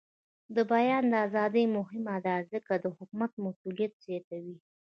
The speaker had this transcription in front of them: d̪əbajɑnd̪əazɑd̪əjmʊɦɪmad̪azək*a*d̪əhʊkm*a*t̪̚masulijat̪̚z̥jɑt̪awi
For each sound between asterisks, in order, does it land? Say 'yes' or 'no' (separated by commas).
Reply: yes, yes